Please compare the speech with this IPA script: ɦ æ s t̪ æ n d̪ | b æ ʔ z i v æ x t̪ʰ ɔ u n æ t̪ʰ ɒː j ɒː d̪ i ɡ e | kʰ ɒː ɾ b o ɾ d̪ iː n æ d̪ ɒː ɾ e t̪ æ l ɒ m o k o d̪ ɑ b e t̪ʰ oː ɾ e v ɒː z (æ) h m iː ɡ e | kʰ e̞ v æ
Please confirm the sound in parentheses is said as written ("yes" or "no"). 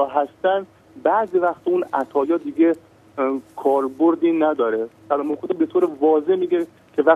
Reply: no